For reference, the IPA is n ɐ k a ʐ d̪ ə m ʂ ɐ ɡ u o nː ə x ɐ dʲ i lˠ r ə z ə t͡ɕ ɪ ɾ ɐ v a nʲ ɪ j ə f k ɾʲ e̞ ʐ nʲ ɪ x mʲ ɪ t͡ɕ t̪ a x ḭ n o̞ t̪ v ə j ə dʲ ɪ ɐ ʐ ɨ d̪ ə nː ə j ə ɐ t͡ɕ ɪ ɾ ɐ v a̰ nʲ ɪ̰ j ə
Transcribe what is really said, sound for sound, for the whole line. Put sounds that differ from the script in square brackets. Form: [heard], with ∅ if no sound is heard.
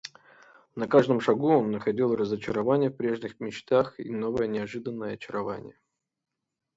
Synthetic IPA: n ɐ k a ʐ d̪ ə m ʂ ɐ ɡ u o nː ə x ɐ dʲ i lˠ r ə z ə t͡ɕ ɪ ɾ ɐ v a nʲ ɪ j ə f [p] ɾʲ e̞ ʐ nʲ ɪ x mʲ ɪ t͡ɕ t̪ a x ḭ n o̞ [∅] v ə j ə [nʲ] ɪ ɐ ʐ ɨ d̪ ə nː ə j ə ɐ t͡ɕ ɪ ɾ ɐ v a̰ nʲ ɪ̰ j ə